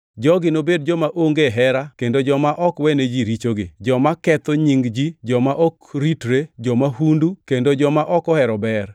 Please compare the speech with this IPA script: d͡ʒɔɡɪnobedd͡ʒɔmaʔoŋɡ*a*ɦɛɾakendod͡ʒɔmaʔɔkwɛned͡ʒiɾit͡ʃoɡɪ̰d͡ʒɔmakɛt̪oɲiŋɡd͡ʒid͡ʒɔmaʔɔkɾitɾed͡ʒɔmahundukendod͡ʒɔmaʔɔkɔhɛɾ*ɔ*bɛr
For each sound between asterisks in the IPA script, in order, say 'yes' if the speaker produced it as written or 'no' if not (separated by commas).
no, yes